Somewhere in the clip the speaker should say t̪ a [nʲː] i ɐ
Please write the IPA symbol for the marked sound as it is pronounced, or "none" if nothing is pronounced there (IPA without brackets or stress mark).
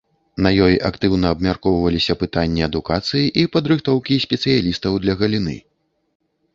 nʲː